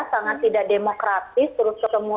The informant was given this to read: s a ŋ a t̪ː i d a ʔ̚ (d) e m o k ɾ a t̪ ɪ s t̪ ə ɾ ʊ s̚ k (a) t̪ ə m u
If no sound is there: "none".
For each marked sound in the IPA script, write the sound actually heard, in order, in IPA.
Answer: d, ə

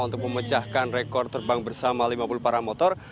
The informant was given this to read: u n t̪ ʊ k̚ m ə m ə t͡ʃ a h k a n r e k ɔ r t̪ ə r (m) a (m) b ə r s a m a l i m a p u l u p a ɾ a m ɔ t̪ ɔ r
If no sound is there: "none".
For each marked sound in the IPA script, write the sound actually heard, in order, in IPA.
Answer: b, ŋ

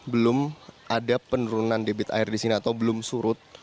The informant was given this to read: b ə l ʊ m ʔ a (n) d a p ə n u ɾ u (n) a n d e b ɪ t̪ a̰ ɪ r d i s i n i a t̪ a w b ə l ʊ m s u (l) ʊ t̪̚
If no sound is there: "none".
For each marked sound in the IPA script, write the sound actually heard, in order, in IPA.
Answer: none, n, ɾ

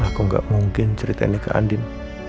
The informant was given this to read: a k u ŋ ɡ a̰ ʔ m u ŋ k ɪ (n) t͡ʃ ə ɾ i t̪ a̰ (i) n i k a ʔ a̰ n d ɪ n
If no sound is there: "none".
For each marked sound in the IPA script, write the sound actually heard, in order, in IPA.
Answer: n, i

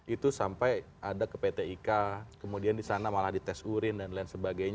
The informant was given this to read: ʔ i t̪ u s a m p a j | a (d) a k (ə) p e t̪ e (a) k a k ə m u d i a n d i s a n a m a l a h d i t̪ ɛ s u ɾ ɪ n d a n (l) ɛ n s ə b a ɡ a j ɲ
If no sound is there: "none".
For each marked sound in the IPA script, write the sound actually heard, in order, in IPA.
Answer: d, ə, i, l

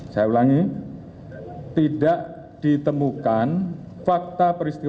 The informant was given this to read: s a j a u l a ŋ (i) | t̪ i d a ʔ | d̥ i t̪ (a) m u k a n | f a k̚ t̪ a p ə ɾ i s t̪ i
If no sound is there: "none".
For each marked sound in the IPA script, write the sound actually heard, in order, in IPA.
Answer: i, ə

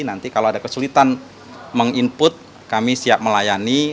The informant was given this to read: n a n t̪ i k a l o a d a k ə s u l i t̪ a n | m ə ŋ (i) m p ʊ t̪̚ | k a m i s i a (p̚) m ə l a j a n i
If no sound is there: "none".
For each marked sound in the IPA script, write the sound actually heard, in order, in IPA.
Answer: i, p̚

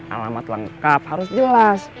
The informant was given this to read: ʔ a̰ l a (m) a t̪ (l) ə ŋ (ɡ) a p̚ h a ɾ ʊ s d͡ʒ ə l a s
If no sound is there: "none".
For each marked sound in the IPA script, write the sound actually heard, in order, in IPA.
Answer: m, l, k

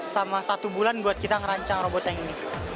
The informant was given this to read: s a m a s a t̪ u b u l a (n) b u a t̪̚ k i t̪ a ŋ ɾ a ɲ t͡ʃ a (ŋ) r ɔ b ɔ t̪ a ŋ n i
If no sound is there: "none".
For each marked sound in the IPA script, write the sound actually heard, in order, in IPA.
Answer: n, ŋ

